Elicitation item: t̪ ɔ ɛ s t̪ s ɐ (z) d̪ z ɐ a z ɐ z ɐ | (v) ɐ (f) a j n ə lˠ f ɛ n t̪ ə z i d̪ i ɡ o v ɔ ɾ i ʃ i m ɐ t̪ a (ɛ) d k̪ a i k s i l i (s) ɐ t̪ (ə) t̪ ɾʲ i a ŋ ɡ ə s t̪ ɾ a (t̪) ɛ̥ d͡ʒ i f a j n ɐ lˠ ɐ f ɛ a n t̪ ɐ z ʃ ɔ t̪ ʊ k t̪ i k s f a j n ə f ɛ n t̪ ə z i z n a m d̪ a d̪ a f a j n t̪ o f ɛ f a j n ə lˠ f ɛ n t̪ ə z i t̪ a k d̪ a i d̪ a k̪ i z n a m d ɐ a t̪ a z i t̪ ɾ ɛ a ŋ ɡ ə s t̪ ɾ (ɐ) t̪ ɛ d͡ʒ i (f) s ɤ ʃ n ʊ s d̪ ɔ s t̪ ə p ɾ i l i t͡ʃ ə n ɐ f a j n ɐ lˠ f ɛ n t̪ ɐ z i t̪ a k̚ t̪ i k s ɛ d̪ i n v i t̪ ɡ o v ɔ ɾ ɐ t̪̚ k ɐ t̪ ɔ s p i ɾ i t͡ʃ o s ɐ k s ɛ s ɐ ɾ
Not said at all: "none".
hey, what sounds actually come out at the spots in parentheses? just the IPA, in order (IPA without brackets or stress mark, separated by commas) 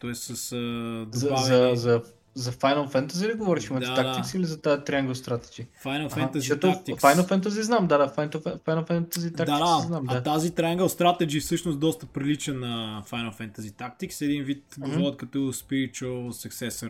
s, z, f, a, z, a, t̪, a, f